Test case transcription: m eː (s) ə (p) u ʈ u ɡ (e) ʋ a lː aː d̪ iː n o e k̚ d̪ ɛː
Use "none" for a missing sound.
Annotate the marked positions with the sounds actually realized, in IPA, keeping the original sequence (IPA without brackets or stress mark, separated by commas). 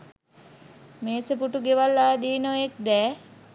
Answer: s, p, e